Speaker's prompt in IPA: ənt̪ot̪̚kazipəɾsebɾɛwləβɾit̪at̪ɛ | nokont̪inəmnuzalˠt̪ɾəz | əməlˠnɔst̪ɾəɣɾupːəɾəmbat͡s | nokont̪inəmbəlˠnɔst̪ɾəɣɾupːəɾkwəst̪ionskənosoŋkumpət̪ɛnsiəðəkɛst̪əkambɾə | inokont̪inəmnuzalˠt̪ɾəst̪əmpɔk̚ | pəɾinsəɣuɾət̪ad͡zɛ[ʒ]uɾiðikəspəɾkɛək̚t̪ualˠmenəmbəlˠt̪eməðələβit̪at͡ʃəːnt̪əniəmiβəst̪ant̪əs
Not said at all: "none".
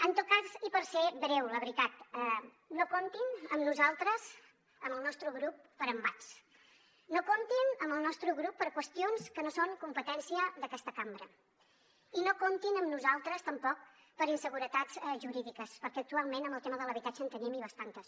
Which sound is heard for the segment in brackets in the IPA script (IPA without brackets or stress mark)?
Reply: ʒ